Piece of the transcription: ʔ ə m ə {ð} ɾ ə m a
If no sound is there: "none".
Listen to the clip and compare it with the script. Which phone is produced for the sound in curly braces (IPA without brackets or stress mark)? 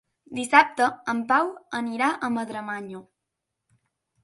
ð